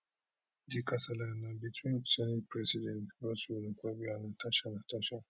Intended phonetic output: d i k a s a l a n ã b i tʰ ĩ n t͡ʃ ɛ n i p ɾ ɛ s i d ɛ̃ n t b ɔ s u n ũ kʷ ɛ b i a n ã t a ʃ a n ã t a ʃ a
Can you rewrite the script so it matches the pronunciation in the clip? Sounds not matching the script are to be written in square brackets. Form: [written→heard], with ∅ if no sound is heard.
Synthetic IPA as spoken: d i k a s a l a n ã b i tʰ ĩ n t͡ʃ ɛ n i p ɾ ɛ s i d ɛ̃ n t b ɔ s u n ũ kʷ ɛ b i a n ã t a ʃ a n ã t a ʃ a

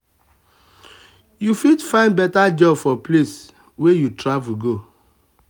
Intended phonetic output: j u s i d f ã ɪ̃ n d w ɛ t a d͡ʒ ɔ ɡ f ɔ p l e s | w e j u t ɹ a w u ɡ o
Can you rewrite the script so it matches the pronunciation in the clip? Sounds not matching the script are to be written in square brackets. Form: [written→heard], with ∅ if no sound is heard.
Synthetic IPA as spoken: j u [s→f] i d f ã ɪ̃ n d [w→b] ɛ t a d͡ʒ ɔ [ɡ→b] f ɔ p l e s | w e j u t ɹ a [w→v] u ɡ o

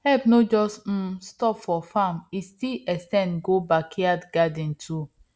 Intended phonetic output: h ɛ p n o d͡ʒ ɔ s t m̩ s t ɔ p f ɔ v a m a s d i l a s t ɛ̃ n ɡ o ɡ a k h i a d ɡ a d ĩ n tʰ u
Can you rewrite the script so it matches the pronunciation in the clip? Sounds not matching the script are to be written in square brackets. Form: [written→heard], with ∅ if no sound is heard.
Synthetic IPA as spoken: h ɛ p n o d͡ʒ ɔ s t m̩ s t ɔ p f ɔ [v→f] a m [a→i] s [d→t] i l [a→ɛ] s t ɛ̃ n ɡ o [ɡ→b] a k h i a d ɡ a d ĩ n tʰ u

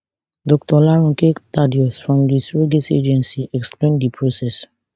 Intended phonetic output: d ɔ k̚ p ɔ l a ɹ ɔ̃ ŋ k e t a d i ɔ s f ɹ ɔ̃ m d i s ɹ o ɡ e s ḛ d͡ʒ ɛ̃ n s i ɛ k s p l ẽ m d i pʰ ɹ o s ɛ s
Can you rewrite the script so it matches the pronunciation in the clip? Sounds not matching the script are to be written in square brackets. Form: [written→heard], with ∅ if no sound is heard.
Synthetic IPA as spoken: d ɔ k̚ [p→t] ɔ l a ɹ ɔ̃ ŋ k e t a d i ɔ s f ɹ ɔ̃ m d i s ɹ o ɡ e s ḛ d͡ʒ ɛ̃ n s i ɛ k s p l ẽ [m→n] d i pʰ ɹ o s ɛ s

